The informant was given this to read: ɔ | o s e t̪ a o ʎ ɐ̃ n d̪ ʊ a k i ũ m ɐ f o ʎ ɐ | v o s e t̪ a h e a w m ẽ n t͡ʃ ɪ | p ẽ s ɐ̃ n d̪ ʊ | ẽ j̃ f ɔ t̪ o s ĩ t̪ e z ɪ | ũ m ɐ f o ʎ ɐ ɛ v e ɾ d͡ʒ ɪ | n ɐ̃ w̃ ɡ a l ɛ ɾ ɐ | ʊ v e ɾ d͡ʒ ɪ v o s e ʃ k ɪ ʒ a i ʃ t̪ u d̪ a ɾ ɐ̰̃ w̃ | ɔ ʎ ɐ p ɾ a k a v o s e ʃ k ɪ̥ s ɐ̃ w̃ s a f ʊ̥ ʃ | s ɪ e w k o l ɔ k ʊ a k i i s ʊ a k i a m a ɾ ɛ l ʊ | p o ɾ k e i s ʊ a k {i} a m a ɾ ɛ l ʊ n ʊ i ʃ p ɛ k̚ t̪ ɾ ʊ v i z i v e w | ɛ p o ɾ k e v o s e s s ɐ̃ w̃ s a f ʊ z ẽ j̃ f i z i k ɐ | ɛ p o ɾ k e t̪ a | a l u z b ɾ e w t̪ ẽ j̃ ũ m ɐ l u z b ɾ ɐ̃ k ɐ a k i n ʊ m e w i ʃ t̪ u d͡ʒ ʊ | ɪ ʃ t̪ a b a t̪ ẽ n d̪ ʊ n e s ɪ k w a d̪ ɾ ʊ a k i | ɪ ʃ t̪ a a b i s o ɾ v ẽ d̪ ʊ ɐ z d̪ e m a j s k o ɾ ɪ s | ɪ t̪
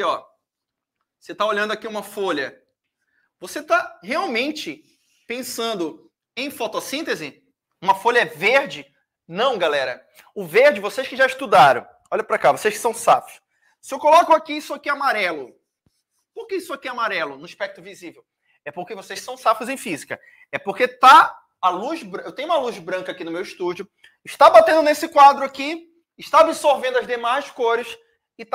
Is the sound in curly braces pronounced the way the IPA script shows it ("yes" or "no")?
yes